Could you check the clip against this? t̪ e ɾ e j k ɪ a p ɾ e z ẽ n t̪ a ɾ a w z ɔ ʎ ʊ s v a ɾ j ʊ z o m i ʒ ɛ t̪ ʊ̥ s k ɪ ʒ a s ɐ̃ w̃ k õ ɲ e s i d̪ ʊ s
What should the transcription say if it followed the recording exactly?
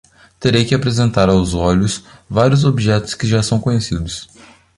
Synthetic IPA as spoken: t̪ e ɾ e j k ɪ a p ɾ e z ẽ n t̪ a ɾ a w z ɔ ʎ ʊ s v a ɾ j ʊ z o b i ʒ ɛ t̪ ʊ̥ s k ɪ ʒ a s ɐ̃ w̃ k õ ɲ e s i d̪ ʊ s